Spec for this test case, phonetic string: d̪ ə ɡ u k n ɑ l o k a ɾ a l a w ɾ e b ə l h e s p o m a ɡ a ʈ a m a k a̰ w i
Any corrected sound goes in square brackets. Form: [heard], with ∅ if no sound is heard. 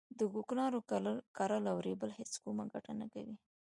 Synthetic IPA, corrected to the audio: d̪ ə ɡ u k n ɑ [ɾ] o k a ɾ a l a w ɾ e b ə l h e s [k] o m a ɡ a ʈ a [n] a k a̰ w i